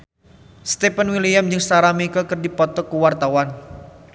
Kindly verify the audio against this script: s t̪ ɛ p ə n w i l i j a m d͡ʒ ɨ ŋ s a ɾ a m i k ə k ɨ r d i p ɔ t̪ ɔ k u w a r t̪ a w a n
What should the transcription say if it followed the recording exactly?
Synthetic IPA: s t̪ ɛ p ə n w i l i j a m d͡ʒ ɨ ŋ s a ɾ a m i k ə k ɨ r d i p ɔ t̪ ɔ k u w a r t̪ a w a n